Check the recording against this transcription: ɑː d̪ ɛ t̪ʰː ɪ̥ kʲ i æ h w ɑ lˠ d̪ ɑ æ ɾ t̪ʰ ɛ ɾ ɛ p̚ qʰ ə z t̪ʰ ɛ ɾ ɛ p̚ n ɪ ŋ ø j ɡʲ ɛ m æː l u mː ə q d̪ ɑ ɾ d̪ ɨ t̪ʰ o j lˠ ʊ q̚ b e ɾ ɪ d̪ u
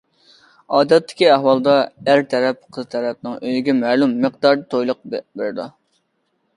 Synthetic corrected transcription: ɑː d̪ ɛ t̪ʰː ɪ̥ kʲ i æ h w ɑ lˠ d̪ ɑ æ ɾ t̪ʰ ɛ ɾ ɛ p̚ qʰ ə z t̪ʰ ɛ ɾ ɛ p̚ n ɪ ŋ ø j ɡʲ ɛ m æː l u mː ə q d̪ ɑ ɾ d̪ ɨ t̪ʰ o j lˠ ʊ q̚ b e ɾ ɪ d̪ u

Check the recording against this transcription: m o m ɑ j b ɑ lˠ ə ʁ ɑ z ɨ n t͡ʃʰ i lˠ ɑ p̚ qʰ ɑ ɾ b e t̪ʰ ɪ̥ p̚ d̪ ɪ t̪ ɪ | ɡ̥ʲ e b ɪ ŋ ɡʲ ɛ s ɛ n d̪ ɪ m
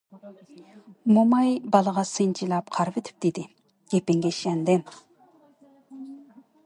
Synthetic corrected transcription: m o m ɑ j b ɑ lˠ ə ʁ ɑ s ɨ n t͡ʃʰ i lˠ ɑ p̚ qʰ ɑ ɾ v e t̪ʰ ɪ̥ p̚ d̪ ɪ d̪ ɪ | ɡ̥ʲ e p ɪ ŋ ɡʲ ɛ ʃ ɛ n d̪ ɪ m

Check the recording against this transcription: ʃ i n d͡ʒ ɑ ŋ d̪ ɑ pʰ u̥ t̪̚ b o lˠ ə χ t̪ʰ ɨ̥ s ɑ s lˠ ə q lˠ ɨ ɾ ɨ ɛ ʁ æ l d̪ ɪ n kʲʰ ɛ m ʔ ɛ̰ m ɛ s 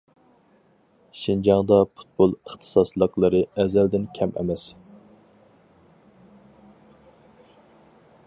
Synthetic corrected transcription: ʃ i n d͡ʒ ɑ ŋ d̪ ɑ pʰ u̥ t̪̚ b o lˠ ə χ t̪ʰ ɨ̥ s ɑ s lˠ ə q lˠ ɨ ɾ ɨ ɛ z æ l d̪ ɪ n kʲʰ ɛ m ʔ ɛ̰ m ɛ s

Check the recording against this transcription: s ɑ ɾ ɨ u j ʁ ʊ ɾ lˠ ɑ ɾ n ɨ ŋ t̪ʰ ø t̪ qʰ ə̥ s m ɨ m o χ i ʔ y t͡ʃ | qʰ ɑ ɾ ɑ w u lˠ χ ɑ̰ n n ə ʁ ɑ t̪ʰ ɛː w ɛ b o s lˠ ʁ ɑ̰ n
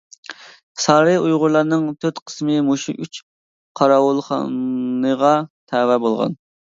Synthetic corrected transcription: s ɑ ɾ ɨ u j ʁ ʊ ɾ lˠ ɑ ɾ n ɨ ŋ t̪ʰ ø t̪ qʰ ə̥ s m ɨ m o ʃ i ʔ y t͡ʃ | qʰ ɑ ɾ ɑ w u lˠ χ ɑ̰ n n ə ʁ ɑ t̪ʰ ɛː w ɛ b o lˠ ʁ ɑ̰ n

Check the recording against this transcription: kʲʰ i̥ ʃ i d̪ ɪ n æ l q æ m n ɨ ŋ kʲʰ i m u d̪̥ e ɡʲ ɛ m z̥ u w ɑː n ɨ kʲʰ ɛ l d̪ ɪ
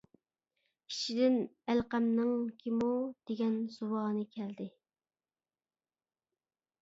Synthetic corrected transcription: kʲʰ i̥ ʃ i d̪ ɪ n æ l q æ m n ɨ ŋ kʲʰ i m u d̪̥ e ɡʲ ɛ n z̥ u w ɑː n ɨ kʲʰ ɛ l d̪ ɪ

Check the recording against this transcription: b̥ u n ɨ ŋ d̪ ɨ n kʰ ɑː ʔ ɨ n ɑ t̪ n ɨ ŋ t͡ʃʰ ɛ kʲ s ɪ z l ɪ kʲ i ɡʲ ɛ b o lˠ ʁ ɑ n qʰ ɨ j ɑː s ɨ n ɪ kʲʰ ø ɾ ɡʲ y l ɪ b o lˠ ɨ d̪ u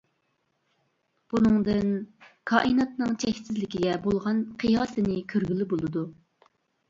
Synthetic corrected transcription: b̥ u n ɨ ŋ d̪ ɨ n kʰ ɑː ʔ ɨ n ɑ t̪ n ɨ ŋ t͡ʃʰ ɛ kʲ s ɪ z l ɪ kʲ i ɡʲ ɛ b o lˠ ʁ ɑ n qʰ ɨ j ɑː s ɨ n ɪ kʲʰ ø ɾ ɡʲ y l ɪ b o lˠ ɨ d̪ u

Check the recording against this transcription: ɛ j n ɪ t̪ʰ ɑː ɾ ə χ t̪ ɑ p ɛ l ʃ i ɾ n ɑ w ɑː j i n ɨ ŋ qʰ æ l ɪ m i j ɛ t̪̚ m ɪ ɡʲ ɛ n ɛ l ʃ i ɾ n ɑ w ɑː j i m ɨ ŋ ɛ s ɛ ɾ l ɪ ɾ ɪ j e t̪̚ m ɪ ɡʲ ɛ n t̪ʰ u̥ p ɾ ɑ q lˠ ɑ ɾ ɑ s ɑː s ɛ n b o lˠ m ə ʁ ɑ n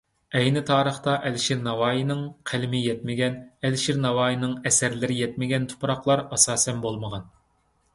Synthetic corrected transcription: ɛ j n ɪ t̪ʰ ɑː ɾ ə χ t̪ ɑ ʔ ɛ l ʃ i ɾ n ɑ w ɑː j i n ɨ ŋ qʰ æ l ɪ m ɪ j ɛ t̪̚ m ɪ ɡʲ ɛ n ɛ l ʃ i ɾ n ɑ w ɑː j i n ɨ ŋ ɛ s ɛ ɾ l ɪ ɾ ɪ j ɛ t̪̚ m ɪ ɡʲ ɛ n t̪ʰ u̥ p ɾ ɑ q lˠ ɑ ɾ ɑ s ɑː s ɛ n b o lˠ m ə ʁ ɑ n

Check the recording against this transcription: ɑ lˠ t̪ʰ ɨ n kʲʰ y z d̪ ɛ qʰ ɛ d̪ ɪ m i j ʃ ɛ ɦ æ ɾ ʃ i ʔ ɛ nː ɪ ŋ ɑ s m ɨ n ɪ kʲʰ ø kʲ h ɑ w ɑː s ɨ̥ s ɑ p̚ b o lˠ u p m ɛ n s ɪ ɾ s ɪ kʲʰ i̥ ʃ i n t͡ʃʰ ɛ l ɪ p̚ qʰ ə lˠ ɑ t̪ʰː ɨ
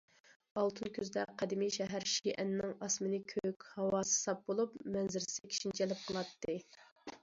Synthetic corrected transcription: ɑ lˠ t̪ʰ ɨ n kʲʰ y z d̪ ɛ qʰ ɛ d̪ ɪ m i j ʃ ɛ ɦ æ ɾ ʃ i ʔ ɛ nː ɪ ŋ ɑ s m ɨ n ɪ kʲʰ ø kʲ h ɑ w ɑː s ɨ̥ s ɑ p̚ b o lˠ u p m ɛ n z ɪ ɾ s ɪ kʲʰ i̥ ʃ i n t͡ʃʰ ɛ l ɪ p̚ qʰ ə lˠ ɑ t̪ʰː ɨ

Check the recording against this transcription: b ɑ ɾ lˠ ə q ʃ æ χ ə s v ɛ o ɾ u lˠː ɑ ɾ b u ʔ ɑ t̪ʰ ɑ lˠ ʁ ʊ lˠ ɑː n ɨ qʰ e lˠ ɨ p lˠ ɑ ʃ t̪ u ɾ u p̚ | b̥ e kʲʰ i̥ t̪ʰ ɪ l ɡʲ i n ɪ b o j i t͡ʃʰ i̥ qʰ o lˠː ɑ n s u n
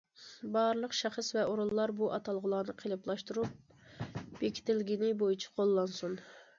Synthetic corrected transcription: b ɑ ɾ lˠ ə q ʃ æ χ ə s v ɛ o ɾ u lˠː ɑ ɾ b u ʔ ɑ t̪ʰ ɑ lˠ ʁ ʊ lˠ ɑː n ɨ qʰ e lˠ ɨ p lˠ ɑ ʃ t̪ u ɾ u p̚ | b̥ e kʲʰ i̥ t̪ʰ ɪ l ɡʲ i n ɪ b o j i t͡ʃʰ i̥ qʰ o lˠː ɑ n s u n

